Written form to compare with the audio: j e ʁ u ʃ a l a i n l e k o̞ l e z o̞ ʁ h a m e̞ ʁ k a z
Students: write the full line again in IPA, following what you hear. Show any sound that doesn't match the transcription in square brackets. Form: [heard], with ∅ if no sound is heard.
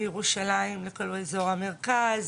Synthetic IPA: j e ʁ u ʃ a l a i [m] l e k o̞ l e z o̞ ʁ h a m e̞ ʁ k a z